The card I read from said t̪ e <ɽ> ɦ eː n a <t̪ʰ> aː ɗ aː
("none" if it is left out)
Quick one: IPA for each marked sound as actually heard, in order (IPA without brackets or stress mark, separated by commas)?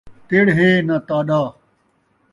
ɽ, t̪